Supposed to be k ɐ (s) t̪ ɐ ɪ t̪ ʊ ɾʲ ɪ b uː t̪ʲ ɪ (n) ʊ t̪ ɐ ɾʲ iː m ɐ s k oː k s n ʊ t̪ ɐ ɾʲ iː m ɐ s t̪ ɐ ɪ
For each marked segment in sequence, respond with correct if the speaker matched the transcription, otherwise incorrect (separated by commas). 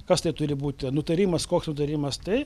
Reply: correct, correct